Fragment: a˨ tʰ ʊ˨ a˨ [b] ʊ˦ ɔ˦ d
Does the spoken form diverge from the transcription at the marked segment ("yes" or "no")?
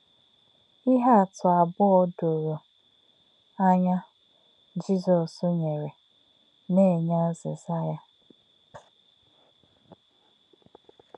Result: no